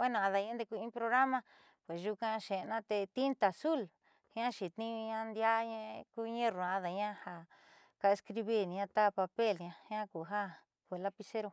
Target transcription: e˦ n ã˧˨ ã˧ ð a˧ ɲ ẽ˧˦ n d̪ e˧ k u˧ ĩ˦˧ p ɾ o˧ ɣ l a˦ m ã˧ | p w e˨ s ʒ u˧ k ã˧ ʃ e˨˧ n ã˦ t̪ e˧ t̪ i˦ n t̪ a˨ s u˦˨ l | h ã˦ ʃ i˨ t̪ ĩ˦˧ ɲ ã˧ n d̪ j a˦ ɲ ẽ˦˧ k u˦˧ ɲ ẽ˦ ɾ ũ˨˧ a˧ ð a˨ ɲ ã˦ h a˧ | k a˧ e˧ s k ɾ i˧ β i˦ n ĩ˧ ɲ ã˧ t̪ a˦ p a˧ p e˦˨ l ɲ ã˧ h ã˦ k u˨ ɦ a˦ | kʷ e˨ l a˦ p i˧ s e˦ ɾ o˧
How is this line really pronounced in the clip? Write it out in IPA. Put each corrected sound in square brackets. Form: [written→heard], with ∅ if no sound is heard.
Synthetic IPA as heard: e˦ n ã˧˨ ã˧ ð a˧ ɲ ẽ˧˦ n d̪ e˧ k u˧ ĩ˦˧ p ɾ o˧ ɣ [l→ɾ] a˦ m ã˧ | p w e˨ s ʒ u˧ k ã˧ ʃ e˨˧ n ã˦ t̪ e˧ t̪ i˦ n t̪ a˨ s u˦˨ l | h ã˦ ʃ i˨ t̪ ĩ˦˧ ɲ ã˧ n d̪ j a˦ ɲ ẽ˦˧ k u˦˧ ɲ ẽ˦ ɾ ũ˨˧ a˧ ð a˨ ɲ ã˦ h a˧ | k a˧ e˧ s k ɾ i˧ β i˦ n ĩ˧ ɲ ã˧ t̪ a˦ p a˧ p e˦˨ l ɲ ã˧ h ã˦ k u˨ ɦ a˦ | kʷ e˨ l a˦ p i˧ s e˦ ɾ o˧